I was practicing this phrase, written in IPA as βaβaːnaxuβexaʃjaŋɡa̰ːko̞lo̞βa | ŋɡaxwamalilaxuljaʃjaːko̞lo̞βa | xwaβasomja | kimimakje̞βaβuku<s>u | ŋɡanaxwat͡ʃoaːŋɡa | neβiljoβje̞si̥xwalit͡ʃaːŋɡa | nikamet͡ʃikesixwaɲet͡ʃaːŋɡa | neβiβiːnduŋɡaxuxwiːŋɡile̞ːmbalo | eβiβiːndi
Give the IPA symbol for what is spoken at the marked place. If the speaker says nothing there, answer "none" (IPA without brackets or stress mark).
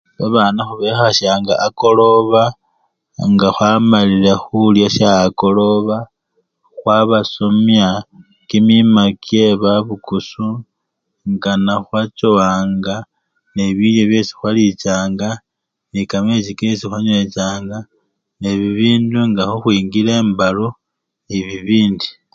s